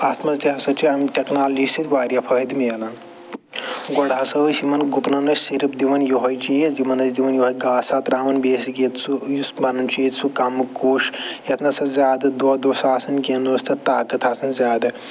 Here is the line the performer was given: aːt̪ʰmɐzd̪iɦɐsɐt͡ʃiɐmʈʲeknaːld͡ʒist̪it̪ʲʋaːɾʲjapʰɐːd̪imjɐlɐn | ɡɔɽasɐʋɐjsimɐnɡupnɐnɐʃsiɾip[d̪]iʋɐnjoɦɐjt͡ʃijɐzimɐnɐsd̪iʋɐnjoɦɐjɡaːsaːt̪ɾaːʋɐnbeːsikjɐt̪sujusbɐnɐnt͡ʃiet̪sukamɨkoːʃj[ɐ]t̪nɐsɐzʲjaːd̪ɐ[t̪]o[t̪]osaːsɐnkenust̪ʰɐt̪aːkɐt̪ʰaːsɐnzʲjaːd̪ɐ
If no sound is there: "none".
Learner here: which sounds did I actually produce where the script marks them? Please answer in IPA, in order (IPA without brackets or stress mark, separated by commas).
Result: d̪, ɐ, d̪, d̪